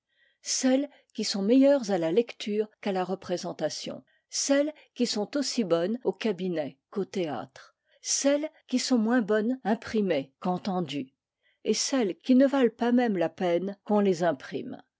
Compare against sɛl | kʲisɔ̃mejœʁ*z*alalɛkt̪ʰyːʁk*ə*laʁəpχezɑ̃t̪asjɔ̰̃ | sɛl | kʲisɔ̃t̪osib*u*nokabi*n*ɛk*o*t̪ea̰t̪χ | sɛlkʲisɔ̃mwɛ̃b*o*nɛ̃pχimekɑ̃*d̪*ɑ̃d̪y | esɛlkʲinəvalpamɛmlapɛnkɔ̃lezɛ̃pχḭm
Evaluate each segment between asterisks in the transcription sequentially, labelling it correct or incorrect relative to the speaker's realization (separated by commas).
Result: correct, incorrect, incorrect, correct, correct, incorrect, incorrect